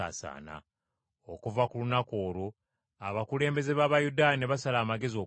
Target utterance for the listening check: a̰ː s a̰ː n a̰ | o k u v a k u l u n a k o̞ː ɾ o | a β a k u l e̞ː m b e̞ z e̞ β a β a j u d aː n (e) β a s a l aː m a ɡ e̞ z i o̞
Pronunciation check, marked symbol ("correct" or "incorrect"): correct